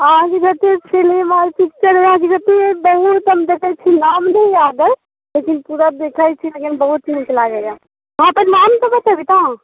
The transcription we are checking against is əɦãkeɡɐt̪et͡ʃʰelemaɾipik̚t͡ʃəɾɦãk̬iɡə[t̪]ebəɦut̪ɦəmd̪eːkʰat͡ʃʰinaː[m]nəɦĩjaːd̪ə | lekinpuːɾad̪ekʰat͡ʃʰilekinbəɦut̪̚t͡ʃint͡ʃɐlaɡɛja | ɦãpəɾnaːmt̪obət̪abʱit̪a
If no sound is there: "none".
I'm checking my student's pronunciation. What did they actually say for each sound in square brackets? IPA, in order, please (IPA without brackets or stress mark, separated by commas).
t̪, m